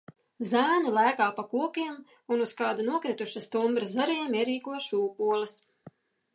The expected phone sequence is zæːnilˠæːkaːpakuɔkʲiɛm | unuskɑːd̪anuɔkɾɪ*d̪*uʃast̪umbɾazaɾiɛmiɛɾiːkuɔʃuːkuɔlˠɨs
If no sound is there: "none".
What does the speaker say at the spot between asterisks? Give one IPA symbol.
t̪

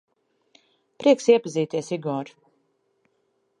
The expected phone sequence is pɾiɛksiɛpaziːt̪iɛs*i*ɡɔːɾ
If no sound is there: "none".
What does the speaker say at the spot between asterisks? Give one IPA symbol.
i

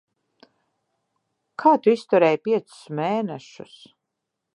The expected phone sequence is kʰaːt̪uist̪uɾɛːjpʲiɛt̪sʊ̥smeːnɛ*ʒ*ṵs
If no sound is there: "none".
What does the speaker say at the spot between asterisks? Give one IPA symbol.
ʃ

